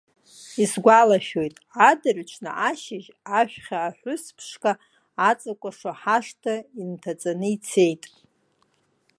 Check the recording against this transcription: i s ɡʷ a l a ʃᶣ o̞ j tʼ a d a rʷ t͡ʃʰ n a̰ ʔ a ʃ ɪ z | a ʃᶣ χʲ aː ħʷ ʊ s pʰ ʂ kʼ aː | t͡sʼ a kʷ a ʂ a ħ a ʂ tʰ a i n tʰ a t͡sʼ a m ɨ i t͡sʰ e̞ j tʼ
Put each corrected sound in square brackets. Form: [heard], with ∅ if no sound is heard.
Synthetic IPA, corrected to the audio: i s ɡʷ a l a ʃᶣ o̞ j tʼ a d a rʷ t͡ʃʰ n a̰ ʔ a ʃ ɪ [ʒ] | a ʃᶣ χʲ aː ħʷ ʊ s pʰ ʂ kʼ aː | t͡sʼ a [kʷʼ] a ʂ a ħ a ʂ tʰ a i n tʰ a t͡sʼ a [n] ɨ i t͡sʰ e̞ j tʼ